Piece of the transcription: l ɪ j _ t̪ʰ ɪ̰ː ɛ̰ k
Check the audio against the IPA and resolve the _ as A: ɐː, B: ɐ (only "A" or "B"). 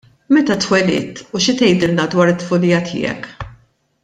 B